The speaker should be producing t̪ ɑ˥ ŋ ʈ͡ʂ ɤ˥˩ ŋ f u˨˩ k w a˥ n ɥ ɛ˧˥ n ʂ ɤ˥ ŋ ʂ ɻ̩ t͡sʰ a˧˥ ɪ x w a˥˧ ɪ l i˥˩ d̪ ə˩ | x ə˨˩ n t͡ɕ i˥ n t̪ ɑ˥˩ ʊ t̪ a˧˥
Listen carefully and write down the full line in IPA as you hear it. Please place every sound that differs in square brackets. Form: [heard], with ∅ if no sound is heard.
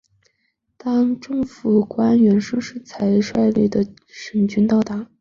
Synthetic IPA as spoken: t̪ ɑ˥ ŋ ʈ͡ʂ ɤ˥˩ ŋ f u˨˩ k w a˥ n ɥ ɛ˧˥ n ʂ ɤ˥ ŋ ʂ ɻ̩ t͡sʰ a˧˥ ɪ [ʂ] w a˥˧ ɪ l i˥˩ d̪ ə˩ | [ʂ] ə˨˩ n t͡ɕ [y˥] n t̪ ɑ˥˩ ʊ t̪ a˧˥